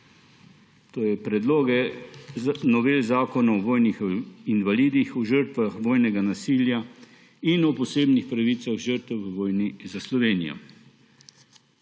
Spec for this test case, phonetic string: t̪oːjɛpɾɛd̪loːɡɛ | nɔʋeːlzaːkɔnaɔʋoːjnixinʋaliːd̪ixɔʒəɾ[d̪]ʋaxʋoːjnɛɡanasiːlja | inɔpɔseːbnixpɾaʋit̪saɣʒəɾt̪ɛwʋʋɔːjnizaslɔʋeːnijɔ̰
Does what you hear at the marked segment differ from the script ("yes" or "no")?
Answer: yes